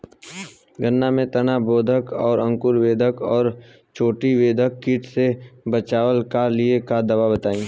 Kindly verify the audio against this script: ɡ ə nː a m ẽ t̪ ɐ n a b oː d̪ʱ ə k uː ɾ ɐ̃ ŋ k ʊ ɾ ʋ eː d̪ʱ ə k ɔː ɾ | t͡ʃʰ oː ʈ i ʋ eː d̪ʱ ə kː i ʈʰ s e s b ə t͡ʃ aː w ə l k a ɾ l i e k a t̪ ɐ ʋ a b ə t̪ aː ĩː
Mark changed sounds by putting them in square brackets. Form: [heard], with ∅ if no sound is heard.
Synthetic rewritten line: ɡ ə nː a m ẽ t̪ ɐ n a b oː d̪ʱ ə k [ɔː] ɾ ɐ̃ ŋ k ʊ ɾ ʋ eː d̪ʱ ə k ɔː ɾ | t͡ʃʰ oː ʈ i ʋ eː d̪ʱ ə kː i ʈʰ s e [∅] b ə t͡ʃ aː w ə l k a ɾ l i e k a [d̪] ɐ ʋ a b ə t̪ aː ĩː